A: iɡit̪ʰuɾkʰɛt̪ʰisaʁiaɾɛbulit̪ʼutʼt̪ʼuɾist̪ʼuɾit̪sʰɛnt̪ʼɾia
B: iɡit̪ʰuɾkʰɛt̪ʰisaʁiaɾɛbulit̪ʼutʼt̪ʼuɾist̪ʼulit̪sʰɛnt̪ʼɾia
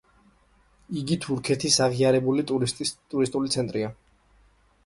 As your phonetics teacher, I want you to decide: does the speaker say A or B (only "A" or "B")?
B